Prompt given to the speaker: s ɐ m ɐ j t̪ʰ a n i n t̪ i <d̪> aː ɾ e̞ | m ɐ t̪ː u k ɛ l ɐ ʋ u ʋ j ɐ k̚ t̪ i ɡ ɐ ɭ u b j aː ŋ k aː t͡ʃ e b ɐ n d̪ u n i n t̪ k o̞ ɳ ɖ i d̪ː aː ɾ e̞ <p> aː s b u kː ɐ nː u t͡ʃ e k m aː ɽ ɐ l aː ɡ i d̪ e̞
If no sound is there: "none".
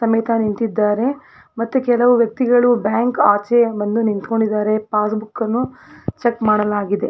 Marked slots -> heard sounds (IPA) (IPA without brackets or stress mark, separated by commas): d̪ː, p